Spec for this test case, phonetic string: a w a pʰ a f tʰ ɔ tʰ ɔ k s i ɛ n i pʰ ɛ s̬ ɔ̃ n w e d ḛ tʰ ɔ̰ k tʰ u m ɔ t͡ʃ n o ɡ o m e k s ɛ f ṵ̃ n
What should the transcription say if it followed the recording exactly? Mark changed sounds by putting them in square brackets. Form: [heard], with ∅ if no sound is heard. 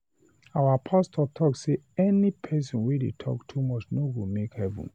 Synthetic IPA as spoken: a w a pʰ a [s] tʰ ɔ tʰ ɔ k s [e] ɛ n i pʰ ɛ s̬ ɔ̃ n w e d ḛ tʰ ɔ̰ k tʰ u m ɔ t͡ʃ n o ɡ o m e k [h] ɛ [v] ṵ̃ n